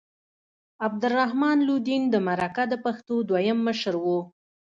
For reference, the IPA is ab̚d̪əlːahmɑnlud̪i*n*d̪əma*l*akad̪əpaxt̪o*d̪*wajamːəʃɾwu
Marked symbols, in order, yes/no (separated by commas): yes, no, yes